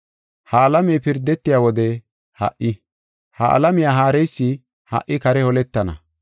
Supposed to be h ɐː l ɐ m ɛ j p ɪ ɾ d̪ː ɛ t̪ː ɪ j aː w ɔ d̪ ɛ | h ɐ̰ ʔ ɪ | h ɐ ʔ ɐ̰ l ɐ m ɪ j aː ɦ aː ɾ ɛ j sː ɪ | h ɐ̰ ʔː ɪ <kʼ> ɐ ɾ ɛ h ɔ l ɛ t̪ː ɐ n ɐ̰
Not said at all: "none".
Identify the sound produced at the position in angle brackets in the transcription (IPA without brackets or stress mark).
k